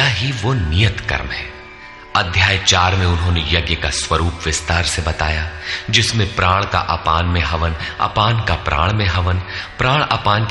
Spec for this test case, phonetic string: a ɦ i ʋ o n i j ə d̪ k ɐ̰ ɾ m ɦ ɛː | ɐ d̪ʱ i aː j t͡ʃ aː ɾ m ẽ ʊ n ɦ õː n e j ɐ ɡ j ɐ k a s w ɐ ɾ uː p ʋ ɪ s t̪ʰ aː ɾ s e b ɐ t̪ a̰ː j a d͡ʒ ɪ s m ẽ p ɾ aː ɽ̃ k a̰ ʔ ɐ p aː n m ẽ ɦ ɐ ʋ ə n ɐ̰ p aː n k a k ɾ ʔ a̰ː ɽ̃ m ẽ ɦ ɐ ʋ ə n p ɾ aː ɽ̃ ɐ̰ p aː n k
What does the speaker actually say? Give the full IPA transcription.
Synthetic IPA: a ɦ i ʋ o n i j ə t̪ k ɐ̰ ɾ m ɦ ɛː | ɐ d̪ʱ j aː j t͡ʃ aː ɾ m ẽ ʊ n ɦ õː n e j ɐ ɡ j ə k a s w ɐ ɾ uː p ʋ ɪ s t̪ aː ɾ s e b ɐ t̪ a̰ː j a d͡ʒ ɪ s m ẽ p ɾ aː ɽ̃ k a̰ ʔ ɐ p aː n m ẽ ɦ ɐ ʋ ə n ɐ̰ p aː n k a p ɾ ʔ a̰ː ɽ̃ m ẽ ɦ ɐ ʋ ə n p ɾ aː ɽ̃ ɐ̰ p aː n k